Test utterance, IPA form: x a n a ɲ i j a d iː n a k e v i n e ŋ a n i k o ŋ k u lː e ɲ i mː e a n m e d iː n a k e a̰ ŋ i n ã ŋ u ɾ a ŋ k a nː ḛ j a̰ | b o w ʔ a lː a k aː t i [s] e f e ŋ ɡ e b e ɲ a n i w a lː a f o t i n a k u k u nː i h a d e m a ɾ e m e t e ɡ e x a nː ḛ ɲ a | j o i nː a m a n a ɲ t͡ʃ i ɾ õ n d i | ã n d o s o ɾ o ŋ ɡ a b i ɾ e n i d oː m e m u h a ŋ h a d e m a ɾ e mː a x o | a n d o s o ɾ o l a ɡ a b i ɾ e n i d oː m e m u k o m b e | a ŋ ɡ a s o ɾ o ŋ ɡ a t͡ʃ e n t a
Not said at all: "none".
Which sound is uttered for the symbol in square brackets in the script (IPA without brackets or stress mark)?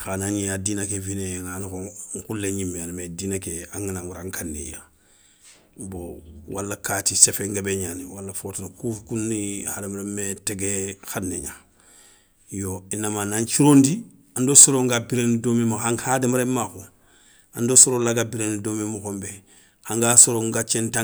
s